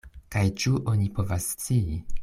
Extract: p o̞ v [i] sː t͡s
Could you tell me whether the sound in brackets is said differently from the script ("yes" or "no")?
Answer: yes